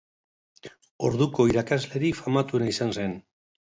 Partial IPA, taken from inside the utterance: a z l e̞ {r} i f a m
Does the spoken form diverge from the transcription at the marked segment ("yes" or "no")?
yes